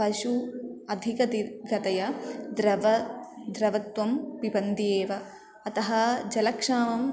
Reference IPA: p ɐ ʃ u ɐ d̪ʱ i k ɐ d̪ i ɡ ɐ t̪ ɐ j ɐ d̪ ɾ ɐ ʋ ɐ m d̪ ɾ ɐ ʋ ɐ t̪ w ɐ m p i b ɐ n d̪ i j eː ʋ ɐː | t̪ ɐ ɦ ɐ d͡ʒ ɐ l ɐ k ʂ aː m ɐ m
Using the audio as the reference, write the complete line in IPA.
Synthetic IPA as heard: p ɐ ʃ u ɐ d̪ʱ i k ɐ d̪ i ɡ ɐ t̪ ɐ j ɐ d̪ ɾ ɐ ʋ ɐ d̪ ɾ ɐ ʋ ɐ t̪ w ɐ m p i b ɐ n d̪ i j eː ʋ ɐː | t̪ ɐ ɦ ɐ d͡ʒ ɐ l ɐ k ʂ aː m ɐ m